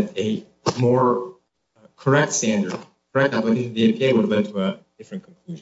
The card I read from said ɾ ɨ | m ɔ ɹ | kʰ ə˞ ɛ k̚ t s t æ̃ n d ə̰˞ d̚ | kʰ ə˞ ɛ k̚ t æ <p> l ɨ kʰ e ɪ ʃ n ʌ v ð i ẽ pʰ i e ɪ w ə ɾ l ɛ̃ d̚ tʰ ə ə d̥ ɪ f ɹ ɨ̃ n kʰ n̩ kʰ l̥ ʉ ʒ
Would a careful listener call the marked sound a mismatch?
no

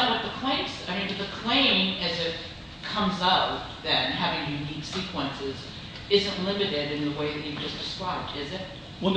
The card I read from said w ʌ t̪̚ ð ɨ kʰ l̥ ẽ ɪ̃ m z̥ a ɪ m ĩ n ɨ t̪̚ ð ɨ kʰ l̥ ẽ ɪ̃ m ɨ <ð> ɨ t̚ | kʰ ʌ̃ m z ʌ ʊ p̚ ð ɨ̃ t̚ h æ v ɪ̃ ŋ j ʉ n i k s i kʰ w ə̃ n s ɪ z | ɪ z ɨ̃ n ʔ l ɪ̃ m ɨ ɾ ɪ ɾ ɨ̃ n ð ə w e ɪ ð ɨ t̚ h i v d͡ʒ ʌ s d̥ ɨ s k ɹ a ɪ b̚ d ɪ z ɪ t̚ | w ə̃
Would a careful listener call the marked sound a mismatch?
yes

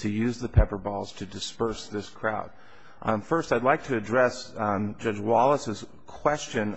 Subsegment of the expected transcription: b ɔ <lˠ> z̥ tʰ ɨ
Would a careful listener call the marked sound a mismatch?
no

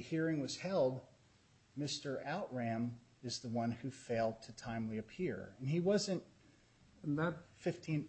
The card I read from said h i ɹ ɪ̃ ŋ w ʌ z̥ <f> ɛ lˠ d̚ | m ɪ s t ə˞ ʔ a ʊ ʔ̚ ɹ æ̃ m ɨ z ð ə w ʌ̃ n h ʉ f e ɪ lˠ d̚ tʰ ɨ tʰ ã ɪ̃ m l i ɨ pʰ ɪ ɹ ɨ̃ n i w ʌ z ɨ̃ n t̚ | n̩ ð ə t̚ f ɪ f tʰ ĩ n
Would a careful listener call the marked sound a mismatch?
yes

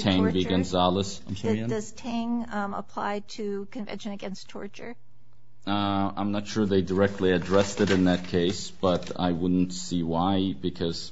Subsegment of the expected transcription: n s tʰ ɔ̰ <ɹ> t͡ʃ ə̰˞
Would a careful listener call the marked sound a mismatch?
no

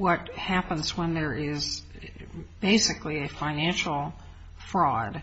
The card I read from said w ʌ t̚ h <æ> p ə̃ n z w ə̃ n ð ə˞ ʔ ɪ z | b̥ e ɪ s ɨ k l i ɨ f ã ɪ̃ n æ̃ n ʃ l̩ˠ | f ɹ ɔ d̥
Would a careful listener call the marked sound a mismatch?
no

